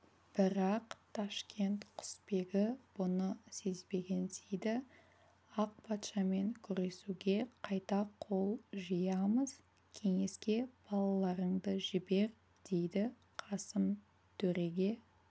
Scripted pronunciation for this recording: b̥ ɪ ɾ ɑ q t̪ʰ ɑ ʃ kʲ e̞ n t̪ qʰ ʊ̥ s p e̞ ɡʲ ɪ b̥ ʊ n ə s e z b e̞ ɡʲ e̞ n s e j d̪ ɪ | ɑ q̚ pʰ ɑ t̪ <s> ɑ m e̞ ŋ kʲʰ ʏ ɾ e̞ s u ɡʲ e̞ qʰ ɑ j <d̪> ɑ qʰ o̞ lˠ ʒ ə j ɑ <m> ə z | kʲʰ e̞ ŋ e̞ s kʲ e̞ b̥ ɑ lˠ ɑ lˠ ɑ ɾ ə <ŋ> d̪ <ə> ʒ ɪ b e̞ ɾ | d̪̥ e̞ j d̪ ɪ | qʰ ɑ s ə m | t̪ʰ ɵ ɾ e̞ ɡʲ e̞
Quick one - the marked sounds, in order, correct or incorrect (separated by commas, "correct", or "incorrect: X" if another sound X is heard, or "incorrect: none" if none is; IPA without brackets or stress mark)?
incorrect: ʃ, incorrect: t̪, correct, incorrect: ɴ, correct